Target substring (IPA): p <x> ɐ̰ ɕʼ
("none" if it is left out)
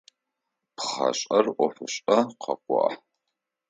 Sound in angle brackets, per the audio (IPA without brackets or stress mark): χ